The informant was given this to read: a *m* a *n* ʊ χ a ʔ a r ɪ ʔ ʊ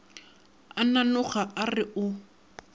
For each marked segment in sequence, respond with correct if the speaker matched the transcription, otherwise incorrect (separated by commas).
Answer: incorrect, correct